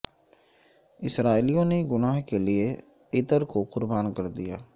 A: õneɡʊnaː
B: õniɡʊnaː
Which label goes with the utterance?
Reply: A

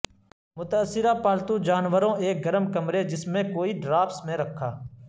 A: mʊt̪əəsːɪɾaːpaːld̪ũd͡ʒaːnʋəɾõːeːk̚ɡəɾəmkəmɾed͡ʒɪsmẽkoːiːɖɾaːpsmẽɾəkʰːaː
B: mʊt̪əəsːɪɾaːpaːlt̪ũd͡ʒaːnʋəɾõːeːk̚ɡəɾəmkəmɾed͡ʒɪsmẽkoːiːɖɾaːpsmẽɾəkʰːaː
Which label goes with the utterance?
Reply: B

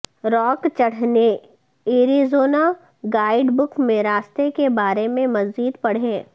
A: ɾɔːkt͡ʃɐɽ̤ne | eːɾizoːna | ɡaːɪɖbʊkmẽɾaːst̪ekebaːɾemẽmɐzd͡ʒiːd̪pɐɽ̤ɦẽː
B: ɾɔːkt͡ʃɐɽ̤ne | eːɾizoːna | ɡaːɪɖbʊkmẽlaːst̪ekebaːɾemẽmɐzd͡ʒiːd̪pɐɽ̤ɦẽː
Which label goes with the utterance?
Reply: A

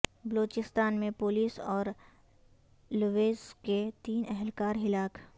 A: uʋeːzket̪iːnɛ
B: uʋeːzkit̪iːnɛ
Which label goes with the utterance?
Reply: A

